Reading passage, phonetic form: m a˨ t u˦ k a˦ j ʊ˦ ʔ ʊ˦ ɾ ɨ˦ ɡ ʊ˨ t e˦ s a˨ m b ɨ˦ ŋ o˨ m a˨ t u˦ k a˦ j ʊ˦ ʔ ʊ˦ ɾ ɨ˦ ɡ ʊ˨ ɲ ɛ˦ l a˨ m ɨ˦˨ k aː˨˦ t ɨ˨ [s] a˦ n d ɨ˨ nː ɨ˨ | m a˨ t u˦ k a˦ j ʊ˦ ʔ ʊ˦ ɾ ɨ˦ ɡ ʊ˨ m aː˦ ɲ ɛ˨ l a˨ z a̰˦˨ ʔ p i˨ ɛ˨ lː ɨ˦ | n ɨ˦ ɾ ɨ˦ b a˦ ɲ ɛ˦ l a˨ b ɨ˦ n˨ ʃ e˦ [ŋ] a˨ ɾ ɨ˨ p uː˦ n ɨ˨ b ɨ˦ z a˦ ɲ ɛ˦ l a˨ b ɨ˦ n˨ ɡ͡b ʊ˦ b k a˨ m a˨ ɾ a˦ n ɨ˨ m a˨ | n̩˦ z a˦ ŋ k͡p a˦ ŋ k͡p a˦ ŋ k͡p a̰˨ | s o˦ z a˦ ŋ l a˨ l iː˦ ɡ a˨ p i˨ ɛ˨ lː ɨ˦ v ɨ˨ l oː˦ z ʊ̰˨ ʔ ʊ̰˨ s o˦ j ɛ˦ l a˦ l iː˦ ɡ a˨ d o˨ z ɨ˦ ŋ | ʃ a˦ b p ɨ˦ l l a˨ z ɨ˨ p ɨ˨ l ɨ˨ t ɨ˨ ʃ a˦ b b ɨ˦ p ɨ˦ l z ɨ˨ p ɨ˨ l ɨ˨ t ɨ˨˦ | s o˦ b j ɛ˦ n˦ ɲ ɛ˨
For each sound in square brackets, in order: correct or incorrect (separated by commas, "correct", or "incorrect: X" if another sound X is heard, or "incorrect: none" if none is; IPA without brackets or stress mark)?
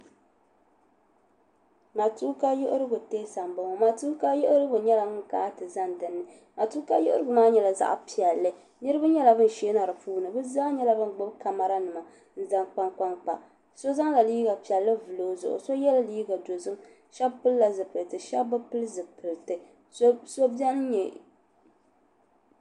incorrect: z, incorrect: n